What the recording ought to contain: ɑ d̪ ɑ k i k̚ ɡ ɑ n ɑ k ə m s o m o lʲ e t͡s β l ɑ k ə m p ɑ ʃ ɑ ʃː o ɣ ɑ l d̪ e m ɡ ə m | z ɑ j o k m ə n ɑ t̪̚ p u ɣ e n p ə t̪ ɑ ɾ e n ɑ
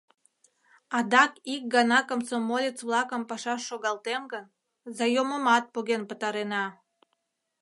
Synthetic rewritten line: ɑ d̪ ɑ k i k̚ ɡ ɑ n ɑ k ə m s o m o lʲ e t͡s β l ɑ k ə m p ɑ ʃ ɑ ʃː o ɣ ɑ l t̪ e m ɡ ə n | z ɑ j o m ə m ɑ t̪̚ p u ɣ e n p ə t̪ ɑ ɾ e n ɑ

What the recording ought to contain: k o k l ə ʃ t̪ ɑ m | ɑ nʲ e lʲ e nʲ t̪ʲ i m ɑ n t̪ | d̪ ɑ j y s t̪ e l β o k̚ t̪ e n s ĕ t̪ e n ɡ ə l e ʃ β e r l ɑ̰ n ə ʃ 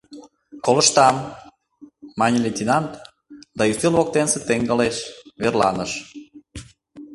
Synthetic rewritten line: k o l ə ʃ t̪ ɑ m | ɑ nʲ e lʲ e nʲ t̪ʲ i n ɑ n t̪ | d̪ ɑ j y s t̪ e l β o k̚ t̪ e n s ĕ t̪ e ŋ ɡ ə l e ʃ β e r l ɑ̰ n ə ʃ

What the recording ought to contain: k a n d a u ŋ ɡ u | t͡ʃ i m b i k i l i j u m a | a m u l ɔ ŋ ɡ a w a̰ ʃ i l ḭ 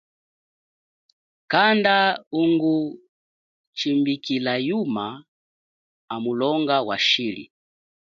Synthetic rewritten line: k a n d a u ŋ ɡ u | t͡ʃ i m b i k i l a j u m a | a m u l ɔ ŋ ɡ a w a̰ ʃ i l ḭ

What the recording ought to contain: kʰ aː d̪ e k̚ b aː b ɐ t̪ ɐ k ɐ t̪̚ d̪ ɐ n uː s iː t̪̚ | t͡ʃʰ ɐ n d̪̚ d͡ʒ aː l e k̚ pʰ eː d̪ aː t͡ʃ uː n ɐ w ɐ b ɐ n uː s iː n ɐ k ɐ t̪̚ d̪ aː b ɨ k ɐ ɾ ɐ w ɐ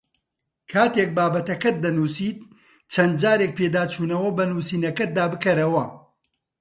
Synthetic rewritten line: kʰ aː t̪ e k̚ b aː b ɐ t̪ ɐ k ɐ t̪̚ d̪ ɐ n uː s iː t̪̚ | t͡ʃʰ ɐ n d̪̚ d͡ʒ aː ɾ e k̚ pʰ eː d̪ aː t͡ʃ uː n ɐ w ɐ b ɐ n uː s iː n ɐ k ɐ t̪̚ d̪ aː b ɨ k ɐ ɾ ɐ w ɐ

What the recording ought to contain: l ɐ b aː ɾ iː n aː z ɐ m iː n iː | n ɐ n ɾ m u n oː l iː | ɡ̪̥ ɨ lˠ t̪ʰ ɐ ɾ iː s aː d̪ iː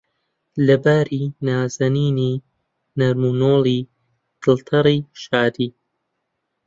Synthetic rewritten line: l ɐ b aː ɾ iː n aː z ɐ n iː n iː | n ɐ ɾ m u n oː l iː | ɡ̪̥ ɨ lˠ t̪ʰ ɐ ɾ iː ʃ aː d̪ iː

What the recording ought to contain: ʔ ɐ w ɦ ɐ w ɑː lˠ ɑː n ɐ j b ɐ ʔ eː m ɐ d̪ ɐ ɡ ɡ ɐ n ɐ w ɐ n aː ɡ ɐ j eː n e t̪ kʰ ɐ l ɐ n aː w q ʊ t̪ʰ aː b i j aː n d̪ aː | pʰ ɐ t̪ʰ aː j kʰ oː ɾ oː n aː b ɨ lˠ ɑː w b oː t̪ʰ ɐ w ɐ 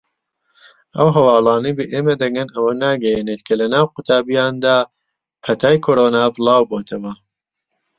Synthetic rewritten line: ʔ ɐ w ɦ ɐ w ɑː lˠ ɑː n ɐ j b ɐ ʔ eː m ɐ d̪ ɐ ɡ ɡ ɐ n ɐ w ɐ n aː ɡ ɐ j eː n e t̪ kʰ ɐ l ɐ n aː w q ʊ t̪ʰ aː b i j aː n d̪ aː | pʰ ɐ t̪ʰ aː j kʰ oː ɾ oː n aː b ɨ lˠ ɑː w b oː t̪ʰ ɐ w ɐ

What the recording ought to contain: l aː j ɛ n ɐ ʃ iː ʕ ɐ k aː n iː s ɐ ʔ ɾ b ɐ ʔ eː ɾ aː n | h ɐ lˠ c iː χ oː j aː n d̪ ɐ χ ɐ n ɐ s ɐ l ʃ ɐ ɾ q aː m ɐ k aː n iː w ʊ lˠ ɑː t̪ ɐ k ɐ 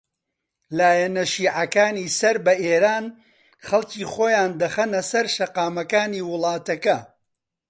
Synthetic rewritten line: l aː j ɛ n ɐ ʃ iː ʕ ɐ k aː n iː s ɐ ɾ b ɐ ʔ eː ɾ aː n | χ ɐ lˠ c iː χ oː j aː n d̪ ɐ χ ɐ n ɐ s ɐ ɾ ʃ ɐ q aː m ɐ k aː n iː w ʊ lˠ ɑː t̪ ɐ k ɐ

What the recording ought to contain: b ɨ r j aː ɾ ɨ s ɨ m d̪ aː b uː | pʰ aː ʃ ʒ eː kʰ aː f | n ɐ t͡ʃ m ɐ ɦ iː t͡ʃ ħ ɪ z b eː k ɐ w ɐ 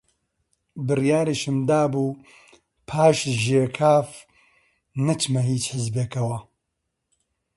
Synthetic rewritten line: b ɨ r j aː ɾ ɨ ʃ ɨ m d̪ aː b uː | pʰ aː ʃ ʒ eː kʰ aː f | n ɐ t͡ʃ m ɐ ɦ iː t͡ʃ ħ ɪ z b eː k ɐ w ɐ

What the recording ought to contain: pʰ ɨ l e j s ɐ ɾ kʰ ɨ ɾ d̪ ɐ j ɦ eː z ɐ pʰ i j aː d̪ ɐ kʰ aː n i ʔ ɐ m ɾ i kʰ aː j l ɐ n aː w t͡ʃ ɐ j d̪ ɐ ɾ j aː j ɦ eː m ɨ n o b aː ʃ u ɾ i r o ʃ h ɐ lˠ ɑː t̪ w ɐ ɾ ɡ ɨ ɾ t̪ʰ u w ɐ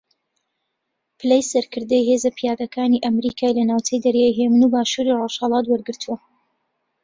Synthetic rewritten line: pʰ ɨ l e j s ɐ ɾ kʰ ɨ ɾ d̪ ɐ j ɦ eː z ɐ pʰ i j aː d̪ ɐ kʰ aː n i ʔ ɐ m ɾ i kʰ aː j l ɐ n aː w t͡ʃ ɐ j d̪ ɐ ɾ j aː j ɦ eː m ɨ n u b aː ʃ u ɾ i r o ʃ h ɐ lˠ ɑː t̪ w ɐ ɾ ɡ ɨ ɾ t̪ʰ u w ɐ

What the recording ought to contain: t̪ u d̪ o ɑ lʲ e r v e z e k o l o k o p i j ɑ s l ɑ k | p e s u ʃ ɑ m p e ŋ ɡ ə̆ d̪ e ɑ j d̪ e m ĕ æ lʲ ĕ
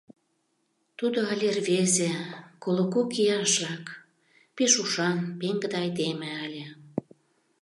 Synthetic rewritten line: t̪ u d̪ o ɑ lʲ e r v e z e k o l o k o k i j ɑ ʃ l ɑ k | p e ʃ u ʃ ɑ n p e ŋ ɡ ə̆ d̪ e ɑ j d̪ e m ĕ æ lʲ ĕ

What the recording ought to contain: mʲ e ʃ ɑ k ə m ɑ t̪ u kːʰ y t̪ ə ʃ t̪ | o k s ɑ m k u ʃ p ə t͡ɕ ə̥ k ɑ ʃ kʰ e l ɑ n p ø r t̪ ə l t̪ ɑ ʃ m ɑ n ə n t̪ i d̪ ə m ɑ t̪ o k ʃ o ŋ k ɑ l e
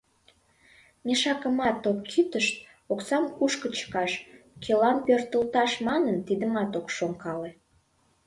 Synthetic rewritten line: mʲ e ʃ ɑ k ə m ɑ t̪ o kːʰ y t̪ ə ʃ t̪ | o k s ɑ m k u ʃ k ə t͡ɕ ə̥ k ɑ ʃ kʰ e l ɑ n p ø r t̪ ə l t̪ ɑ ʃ m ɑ n ə n t̪ i d̪ ə m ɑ t̪ o k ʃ o ŋ k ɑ l e

